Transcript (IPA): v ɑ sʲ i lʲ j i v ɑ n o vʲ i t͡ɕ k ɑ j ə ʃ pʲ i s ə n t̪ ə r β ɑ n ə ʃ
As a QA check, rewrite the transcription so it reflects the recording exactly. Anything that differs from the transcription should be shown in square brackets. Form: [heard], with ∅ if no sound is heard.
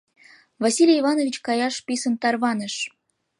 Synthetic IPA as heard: v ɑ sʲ i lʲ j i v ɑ n o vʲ i t͡ɕ k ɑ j [ɑ] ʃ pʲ i s ə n t̪ [ɑ] r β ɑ n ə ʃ